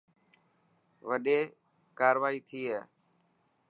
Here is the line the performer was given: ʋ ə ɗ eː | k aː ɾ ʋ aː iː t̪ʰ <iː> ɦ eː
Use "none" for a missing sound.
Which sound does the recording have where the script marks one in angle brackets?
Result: iː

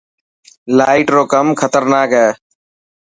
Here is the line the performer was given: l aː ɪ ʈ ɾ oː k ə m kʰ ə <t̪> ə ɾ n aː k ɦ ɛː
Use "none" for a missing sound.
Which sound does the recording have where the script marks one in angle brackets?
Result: t̪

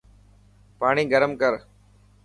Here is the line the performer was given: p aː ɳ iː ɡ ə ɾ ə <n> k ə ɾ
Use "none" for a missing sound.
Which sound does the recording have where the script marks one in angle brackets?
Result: m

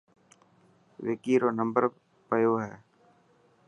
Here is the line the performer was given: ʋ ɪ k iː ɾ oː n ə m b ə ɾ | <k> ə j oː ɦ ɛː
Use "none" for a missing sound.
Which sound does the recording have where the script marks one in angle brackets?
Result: p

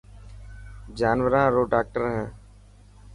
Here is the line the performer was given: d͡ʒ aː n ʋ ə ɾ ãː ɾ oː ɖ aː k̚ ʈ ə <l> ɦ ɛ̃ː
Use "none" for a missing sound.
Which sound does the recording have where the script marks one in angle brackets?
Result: ɾ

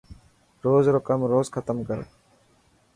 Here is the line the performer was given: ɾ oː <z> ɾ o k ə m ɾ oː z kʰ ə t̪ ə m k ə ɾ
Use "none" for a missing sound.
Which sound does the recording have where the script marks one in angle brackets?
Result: z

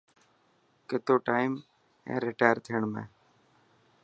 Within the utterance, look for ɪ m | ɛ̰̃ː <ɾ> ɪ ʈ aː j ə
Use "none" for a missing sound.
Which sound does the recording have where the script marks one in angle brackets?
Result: ɾ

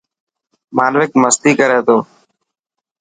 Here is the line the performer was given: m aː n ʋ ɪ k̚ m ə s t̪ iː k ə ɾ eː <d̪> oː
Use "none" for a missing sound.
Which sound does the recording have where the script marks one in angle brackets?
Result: t̪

